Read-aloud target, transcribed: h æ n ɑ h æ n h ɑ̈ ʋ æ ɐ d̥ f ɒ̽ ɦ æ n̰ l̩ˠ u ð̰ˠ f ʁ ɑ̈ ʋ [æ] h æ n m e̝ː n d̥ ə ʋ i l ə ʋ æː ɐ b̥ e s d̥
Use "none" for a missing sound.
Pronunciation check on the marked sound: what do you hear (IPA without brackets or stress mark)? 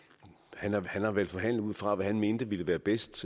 æ